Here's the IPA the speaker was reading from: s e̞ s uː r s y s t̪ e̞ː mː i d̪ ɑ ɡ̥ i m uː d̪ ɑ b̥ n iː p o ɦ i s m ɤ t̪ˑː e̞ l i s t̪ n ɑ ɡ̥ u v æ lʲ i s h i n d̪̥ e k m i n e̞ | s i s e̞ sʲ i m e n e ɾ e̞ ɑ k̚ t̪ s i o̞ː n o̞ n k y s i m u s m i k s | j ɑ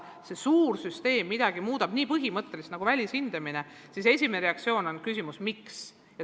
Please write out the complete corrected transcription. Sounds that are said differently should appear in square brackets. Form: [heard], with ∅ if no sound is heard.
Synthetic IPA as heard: s e̞ s uː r s y s t̪ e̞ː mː i d̪ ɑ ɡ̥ i m uː d̪ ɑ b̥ n iː p [ɤ] ɦ i [∅] m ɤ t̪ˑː e̞ l i s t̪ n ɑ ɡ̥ u v æ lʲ i s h i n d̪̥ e [∅] m i n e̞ | s i s e̞ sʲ i m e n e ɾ e̞ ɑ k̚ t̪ s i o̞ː n o̞ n k y s i m u s m i k s | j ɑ